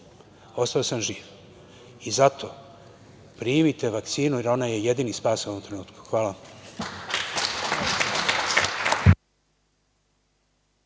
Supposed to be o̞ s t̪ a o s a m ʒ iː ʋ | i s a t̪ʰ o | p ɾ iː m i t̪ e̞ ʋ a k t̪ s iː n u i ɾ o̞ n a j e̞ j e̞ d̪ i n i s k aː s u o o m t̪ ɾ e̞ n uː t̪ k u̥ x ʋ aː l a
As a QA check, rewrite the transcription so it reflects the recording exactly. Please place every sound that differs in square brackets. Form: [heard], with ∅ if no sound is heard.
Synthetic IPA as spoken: o̞ s t̪ a o s a m ʒ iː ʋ | i [z] a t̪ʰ o | p ɾ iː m i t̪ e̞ ʋ a k t̪ s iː n u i ɾ o̞ n a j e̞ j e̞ d̪ i n i s [p] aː s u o o m t̪ ɾ e̞ n uː t̪ k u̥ x ʋ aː l a